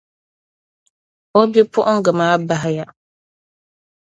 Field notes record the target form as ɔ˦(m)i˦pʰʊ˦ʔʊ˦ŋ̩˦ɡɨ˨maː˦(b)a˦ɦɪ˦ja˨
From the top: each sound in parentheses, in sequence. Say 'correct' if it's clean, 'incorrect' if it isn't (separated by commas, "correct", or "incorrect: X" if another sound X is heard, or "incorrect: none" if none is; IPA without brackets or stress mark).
incorrect: b, correct